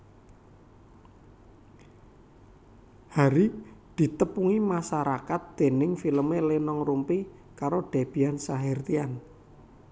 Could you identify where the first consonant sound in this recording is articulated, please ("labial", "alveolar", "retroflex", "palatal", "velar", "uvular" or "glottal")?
glottal